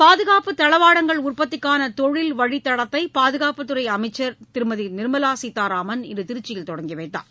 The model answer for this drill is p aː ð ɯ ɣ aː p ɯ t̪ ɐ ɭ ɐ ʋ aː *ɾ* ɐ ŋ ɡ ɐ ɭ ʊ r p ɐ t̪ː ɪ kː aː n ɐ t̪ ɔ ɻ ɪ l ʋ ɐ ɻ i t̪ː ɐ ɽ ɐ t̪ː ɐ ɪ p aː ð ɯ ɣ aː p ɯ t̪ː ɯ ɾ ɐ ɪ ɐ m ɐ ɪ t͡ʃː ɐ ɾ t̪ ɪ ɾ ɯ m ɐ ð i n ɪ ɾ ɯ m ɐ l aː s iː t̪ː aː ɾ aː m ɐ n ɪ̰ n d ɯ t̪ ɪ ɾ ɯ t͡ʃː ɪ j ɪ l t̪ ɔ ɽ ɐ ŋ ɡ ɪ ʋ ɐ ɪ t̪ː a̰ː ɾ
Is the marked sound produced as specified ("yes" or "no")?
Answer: no